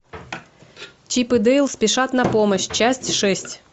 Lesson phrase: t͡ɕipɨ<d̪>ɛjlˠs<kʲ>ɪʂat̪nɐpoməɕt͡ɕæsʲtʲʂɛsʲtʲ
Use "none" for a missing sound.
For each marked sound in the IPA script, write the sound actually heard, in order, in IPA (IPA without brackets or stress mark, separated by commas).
d̪, pʲ